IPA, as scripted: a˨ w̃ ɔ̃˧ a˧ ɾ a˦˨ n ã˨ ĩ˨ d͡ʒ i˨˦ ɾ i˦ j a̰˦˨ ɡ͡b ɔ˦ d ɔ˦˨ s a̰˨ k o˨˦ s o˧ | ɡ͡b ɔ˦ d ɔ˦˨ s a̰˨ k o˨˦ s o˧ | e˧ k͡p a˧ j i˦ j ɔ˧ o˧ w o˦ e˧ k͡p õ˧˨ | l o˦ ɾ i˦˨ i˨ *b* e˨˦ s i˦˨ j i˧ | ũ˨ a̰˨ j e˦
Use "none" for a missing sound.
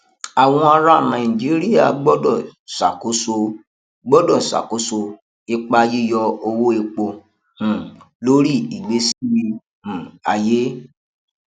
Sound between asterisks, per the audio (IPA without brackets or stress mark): ɡ͡b